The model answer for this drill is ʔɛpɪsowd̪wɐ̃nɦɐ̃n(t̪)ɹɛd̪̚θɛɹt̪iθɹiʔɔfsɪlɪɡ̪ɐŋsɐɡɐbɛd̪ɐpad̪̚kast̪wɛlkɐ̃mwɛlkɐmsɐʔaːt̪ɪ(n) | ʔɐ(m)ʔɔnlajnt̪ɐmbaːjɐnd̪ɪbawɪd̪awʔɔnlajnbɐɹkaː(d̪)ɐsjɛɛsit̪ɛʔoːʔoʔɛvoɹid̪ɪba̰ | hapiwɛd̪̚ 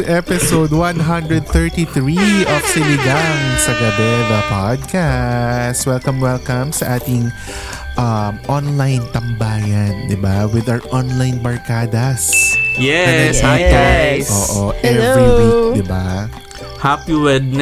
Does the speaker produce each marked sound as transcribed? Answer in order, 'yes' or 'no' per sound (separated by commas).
no, no, yes, yes